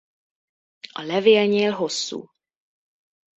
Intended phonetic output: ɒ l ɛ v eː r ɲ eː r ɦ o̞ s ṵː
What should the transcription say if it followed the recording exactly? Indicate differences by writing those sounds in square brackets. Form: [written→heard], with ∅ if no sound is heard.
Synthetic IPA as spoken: ɒ l ɛ v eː [r→l] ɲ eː [r→l] ɦ o̞ [s→sː] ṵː